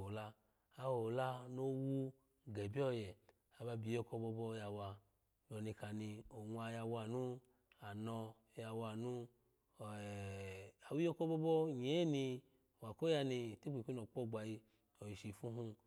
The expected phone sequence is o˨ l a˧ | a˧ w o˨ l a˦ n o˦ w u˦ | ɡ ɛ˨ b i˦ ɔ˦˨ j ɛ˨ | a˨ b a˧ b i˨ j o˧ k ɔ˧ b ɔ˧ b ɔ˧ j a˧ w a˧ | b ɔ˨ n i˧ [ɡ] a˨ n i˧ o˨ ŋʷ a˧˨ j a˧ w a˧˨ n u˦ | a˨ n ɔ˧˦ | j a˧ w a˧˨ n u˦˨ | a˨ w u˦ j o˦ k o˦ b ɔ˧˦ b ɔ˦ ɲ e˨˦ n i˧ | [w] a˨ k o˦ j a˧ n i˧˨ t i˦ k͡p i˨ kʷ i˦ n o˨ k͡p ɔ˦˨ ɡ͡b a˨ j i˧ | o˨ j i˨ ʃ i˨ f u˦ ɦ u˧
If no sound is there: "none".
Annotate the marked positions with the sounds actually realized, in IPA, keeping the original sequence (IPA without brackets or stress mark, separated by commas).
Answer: k, w